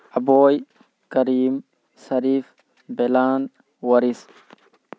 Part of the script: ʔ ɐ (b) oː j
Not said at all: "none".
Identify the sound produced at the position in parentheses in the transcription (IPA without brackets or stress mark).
b